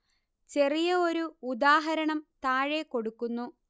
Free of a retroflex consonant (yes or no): no